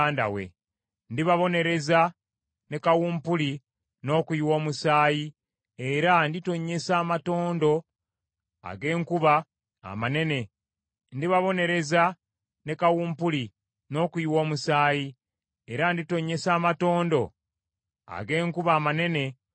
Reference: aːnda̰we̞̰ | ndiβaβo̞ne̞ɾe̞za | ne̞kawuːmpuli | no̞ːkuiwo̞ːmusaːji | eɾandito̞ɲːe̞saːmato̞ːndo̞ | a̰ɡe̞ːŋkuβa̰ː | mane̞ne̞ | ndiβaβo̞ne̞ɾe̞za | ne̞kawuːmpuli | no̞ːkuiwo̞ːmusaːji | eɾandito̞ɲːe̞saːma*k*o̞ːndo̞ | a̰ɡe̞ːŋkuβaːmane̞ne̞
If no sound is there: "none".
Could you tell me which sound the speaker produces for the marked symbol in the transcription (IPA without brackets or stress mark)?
t